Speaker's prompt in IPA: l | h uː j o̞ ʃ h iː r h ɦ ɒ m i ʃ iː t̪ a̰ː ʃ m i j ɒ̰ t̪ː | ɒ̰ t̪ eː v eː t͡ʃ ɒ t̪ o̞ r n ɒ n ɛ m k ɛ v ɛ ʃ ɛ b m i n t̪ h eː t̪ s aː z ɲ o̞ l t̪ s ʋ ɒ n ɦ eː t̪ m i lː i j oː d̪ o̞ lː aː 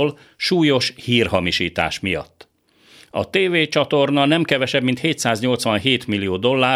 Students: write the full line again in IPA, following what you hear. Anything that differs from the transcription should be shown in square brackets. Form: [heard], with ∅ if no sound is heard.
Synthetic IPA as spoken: l | [ʃ] uː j o̞ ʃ h iː r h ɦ ɒ m i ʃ iː t̪ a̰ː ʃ m i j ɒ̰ t̪ː | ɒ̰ t̪ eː v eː t͡ʃ ɒ t̪ o̞ r n ɒ n ɛ m k ɛ v ɛ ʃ ɛ b m i n t̪ h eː t̪ s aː z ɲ o̞ l t̪ s ʋ ɒ n ɦ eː t̪ m i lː i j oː d̪ o̞ lː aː